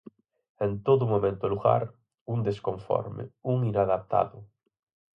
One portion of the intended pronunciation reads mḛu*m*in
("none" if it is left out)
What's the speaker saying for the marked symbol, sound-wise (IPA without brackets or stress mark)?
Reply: ŋ